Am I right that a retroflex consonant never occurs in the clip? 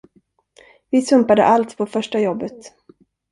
no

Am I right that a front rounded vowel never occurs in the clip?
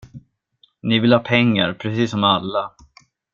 yes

